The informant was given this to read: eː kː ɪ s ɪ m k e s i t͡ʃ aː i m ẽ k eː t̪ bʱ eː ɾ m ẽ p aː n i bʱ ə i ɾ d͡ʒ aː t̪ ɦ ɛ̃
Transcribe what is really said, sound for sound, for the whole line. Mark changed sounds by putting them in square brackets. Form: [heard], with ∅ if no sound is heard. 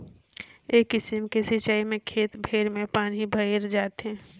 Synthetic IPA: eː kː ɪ s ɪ m k e s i t͡ʃ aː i m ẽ [kʰ] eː t̪ bʱ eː ɾ m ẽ p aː n i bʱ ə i ɾ d͡ʒ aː t̪ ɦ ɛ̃